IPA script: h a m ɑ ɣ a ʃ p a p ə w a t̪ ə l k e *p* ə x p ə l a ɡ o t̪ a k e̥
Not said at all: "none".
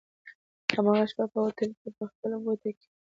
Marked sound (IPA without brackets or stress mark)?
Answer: p